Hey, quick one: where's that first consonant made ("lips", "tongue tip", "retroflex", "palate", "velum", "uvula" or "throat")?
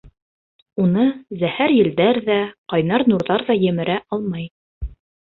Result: tongue tip